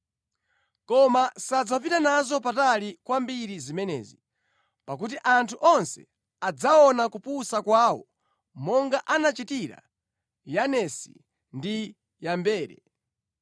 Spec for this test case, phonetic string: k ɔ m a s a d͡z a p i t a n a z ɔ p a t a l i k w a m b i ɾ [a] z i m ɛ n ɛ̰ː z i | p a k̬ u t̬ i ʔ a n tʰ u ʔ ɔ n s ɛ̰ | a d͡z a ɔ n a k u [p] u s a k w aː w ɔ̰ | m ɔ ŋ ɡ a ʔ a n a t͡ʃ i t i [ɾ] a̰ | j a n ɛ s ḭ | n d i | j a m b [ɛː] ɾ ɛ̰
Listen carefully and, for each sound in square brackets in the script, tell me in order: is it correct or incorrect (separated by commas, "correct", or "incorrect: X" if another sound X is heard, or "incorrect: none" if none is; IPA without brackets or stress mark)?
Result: incorrect: i, correct, correct, correct